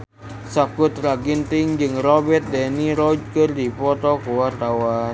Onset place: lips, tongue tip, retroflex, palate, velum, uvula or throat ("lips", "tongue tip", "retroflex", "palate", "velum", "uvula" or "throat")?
tongue tip